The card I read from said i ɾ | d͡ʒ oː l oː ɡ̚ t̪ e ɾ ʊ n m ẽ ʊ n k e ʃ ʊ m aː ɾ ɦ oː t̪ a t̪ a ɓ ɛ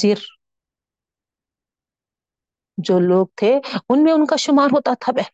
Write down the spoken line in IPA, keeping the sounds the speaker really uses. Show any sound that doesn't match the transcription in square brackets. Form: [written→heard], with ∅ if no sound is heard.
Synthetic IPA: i ɾ | d͡ʒ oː l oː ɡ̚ [t̪→t̪ʰ] e [ɾ→∅] ʊ n m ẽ ʊ n k [e→a] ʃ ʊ m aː ɾ ɦ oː t̪ a [t̪→t̪ʰ] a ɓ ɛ